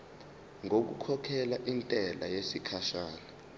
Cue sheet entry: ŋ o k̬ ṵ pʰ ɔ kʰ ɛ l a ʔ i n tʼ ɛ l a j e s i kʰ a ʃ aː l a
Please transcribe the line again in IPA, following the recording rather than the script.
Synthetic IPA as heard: ŋ o k̬ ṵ kʰ ɔ kʰ ɛ l a ʔ i n tʼ ɛ l a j e s i kʰ a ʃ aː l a